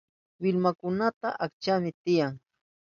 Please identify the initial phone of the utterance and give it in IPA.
w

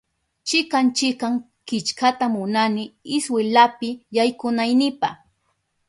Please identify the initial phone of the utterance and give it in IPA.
t͡ʃ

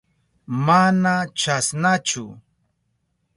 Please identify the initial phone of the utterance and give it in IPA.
m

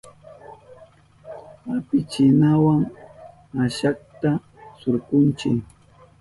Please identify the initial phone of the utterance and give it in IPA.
a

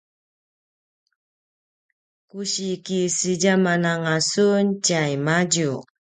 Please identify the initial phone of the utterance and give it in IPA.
k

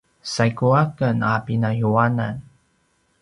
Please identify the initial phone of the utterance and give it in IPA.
s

